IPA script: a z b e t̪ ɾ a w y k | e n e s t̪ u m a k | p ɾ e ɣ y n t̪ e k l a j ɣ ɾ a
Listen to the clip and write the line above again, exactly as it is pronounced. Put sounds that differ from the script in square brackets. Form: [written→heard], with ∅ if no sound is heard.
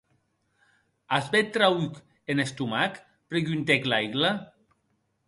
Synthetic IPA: a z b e t̪ ɾ a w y k | e n e s t̪ u m a k | p ɾ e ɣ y n t̪ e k l a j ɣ [ɾ→l] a